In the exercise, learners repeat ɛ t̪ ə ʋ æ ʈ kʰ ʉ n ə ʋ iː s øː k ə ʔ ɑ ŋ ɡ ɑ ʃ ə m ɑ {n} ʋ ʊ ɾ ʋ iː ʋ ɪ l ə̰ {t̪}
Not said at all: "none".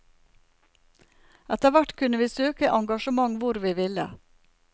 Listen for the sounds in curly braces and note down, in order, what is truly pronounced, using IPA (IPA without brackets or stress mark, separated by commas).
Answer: ŋ, none